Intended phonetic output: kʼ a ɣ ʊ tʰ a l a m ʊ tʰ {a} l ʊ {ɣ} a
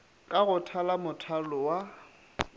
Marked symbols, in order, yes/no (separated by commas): yes, no